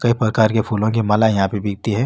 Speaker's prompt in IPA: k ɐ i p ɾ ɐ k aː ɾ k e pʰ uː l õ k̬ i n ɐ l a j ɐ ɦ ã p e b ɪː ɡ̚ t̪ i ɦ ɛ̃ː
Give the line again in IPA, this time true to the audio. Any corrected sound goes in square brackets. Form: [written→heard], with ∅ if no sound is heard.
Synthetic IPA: k ɐ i p ɾ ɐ k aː ɾ k e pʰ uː l õ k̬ i [n→m] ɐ l a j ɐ ɦ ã p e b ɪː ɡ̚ t̪ i ɦ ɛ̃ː